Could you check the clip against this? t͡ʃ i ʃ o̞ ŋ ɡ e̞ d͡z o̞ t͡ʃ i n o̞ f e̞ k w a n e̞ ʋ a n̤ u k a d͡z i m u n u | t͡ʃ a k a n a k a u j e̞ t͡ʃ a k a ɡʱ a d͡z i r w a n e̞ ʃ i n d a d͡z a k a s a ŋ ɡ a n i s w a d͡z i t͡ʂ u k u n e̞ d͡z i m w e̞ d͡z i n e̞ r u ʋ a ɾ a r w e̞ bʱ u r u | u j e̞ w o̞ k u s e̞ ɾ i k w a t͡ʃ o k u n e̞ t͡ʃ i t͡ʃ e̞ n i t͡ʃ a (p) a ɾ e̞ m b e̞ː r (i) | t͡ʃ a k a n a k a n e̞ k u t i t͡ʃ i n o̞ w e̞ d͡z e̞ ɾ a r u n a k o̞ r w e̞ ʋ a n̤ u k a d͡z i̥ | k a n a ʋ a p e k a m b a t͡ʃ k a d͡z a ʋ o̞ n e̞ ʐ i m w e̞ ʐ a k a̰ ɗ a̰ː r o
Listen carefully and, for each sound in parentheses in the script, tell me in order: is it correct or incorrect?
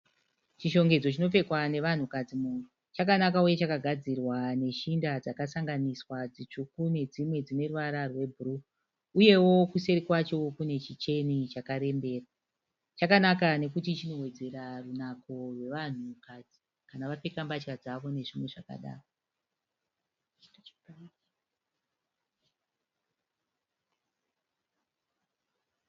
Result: incorrect, incorrect

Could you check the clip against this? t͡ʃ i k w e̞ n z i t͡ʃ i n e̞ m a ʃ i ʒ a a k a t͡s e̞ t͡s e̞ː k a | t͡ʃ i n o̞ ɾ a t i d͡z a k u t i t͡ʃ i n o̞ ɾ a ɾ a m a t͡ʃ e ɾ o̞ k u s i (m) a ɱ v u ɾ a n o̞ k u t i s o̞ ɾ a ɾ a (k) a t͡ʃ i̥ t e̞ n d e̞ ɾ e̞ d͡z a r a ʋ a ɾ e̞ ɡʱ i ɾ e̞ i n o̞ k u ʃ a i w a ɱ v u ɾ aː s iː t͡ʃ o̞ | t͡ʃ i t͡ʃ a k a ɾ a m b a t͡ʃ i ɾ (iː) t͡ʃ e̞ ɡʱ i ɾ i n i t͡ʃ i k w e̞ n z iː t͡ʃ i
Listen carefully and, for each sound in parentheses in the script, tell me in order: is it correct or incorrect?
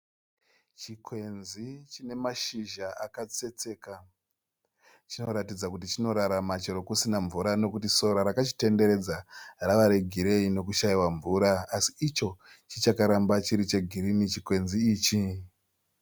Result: incorrect, correct, incorrect

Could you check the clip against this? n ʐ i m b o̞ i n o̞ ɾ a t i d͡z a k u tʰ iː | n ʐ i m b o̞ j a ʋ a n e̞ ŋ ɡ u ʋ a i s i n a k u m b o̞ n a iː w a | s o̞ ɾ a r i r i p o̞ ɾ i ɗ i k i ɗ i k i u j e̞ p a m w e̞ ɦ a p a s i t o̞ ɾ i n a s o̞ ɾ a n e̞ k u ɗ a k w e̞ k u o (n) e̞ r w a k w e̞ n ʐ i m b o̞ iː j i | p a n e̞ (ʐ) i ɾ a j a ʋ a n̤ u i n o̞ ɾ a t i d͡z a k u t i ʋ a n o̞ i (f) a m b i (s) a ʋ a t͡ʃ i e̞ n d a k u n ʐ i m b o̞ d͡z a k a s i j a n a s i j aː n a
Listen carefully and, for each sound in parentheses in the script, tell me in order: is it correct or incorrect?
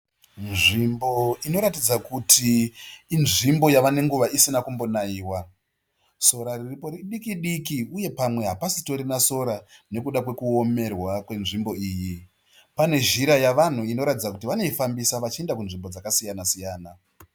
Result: incorrect, incorrect, correct, correct

